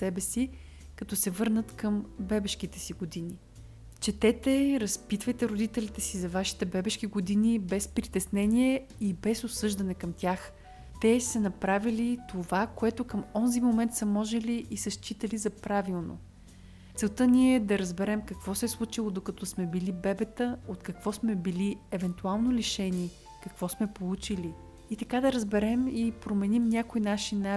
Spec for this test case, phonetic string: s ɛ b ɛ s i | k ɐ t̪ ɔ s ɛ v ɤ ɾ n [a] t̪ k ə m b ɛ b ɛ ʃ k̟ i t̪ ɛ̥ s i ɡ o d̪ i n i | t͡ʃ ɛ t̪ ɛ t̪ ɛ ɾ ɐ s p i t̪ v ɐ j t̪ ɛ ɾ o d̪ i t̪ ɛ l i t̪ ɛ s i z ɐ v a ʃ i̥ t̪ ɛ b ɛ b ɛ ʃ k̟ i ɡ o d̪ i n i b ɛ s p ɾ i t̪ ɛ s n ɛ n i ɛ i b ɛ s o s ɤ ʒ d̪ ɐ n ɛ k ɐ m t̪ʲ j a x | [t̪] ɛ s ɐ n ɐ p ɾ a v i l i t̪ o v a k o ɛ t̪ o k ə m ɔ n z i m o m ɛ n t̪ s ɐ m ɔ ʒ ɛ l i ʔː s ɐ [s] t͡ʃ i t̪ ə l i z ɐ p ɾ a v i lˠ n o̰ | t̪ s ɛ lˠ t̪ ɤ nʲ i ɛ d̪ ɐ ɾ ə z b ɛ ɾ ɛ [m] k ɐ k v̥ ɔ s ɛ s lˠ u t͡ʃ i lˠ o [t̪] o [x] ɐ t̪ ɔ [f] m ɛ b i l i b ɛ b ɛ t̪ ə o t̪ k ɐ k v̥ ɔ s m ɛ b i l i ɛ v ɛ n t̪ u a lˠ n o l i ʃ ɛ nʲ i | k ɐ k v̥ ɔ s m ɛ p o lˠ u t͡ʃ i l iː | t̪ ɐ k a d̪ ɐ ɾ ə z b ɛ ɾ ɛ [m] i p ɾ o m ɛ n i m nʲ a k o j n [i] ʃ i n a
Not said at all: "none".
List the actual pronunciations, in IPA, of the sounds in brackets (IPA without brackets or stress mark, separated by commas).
ə, t̪, ʃ, m, d̪, k, s, m, a